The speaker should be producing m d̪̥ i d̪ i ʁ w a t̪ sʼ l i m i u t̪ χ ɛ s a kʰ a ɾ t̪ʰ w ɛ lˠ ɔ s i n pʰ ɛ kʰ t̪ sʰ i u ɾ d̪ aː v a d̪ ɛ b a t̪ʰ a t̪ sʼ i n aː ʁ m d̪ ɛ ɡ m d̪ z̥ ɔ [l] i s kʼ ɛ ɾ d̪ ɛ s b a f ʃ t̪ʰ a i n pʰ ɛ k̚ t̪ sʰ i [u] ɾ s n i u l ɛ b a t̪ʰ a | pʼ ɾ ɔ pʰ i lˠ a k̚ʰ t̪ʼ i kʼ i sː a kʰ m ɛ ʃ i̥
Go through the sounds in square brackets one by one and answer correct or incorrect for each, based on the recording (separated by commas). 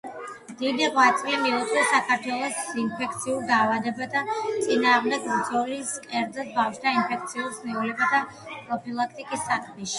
correct, correct